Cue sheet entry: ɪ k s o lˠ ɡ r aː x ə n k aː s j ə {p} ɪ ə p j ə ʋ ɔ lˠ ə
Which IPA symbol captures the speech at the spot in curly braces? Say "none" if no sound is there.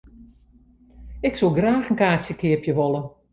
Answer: k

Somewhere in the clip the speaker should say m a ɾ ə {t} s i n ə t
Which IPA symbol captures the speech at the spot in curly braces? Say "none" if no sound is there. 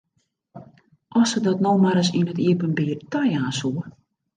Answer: none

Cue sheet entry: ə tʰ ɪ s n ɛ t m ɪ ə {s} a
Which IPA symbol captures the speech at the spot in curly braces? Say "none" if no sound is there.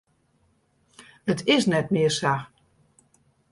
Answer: s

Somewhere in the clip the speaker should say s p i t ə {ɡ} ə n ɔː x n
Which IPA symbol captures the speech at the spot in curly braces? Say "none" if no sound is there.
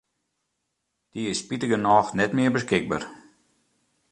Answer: ɡ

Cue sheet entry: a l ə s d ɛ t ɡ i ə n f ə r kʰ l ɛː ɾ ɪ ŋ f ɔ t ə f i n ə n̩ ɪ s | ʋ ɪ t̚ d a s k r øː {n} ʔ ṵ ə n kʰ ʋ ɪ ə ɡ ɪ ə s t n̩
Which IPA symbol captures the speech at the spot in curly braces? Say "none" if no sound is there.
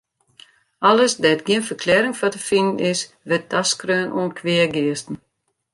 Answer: n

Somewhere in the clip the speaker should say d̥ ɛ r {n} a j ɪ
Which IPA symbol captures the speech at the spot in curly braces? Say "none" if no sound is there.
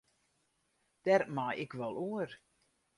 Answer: m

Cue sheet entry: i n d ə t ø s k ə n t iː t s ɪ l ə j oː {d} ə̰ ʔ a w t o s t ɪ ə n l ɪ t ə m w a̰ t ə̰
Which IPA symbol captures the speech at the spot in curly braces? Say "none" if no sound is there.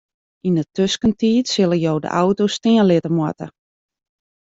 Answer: d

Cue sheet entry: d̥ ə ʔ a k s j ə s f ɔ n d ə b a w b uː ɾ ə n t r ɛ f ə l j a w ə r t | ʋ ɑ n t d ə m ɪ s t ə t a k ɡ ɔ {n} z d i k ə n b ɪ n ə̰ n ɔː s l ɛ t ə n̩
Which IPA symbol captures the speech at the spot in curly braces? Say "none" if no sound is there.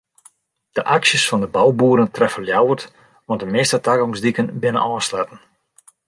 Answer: ŋ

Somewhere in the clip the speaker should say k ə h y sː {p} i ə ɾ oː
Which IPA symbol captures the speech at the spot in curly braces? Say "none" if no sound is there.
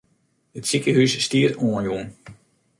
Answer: t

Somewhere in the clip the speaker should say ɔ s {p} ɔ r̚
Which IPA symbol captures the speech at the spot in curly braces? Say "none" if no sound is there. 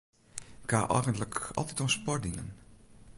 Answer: p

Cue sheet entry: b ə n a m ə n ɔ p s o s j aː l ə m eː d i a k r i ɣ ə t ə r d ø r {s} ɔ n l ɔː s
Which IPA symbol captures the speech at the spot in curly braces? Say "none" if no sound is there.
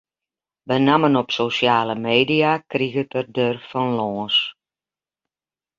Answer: f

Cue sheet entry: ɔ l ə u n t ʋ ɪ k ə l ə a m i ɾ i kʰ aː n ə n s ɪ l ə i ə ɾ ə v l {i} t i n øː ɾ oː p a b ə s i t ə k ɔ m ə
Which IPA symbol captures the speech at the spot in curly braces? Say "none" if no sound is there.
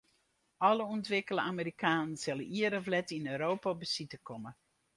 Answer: ɛ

